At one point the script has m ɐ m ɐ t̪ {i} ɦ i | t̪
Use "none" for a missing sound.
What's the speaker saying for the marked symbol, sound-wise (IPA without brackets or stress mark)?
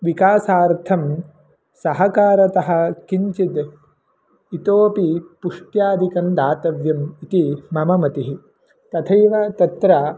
i